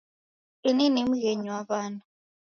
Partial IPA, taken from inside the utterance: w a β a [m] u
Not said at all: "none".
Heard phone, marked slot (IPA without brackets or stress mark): n